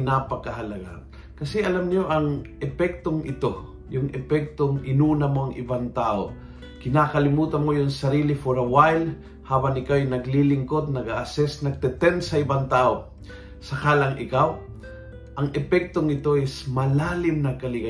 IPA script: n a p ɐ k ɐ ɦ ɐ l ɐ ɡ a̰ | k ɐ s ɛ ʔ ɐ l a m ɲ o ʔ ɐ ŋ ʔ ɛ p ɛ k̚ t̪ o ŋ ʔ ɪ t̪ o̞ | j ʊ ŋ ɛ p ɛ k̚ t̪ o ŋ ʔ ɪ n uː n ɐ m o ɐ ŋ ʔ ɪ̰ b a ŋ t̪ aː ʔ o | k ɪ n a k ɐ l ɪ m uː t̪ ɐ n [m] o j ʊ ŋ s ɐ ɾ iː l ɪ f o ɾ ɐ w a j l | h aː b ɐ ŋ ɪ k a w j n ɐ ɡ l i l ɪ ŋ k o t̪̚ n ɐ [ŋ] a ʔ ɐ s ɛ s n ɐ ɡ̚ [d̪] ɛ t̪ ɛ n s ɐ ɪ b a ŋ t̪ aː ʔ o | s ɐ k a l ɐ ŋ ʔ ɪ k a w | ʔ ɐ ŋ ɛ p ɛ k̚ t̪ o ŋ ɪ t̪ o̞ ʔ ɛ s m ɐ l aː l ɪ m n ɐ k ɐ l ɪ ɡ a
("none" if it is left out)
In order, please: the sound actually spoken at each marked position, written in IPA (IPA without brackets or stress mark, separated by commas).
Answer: m, ɡ, t̪